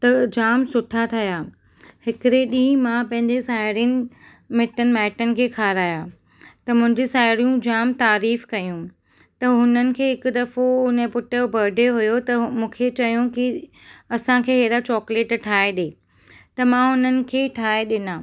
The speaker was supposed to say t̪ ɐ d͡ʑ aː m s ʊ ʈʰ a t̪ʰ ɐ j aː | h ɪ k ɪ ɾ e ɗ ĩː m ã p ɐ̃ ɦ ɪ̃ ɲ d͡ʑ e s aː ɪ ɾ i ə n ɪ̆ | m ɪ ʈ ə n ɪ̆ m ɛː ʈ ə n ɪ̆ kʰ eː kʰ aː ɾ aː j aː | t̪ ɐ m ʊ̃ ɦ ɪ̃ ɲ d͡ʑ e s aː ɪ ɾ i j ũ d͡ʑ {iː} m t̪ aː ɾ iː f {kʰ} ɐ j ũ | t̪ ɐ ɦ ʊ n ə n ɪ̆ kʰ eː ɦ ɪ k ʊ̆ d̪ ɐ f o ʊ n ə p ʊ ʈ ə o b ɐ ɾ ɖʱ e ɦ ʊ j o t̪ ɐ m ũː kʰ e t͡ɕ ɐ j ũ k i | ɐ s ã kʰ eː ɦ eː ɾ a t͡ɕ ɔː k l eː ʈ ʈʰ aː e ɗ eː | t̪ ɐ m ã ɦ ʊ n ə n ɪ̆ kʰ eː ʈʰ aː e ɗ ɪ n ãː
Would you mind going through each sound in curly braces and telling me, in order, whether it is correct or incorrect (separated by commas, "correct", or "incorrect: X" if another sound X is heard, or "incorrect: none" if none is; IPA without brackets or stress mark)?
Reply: incorrect: aː, incorrect: k